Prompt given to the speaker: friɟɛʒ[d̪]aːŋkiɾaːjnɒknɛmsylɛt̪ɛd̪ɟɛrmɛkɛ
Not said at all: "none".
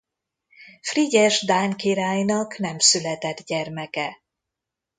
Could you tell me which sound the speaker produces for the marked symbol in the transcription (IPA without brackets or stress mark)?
d̪